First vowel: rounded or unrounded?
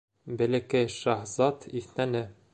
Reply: unrounded